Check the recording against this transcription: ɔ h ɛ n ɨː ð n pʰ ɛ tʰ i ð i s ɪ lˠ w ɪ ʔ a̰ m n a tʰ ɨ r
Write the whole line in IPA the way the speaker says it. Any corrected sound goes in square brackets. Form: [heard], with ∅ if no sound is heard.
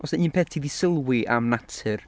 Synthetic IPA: ɔ [s] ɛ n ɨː [∅] n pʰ ɛ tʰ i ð i s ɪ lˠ w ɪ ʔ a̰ m n a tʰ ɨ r